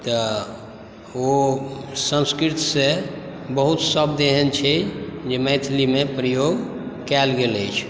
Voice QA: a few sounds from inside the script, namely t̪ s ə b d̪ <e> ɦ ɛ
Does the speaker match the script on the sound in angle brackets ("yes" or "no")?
yes